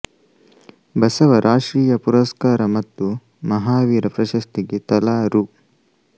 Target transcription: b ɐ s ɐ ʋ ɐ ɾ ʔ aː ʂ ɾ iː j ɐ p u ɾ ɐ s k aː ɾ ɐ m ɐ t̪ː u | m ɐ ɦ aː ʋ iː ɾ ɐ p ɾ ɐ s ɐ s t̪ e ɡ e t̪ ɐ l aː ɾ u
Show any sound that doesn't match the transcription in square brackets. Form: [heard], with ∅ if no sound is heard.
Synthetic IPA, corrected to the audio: b ɐ s ɐ ʋ ɐ ɾ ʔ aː ʂ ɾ iː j ɐ p u ɾ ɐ s k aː ɾ ɐ m ɐ t̪ː u | m ɐ ɦ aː ʋ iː ɾ ɐ p ɾ ɐ [ʃ] ɐ s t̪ [i] ɡ e t̪ ɐ l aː ɾ u